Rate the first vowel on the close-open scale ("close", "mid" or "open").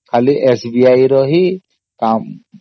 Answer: open